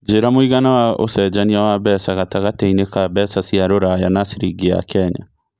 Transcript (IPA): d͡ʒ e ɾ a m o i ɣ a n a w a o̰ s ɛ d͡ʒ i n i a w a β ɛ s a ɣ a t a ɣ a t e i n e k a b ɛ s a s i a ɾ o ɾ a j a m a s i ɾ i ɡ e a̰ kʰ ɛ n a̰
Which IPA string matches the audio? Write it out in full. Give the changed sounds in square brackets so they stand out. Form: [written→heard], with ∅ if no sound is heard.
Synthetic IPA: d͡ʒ e ɾ a m o i ɣ a n a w a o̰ s ɛ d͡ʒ [i→a] n i a w a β ɛ s a ɣ a t a ɣ a t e i n e k a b ɛ s a s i a ɾ o ɾ a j a [m→n] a s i ɾ i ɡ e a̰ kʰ ɛ [n→ɲ] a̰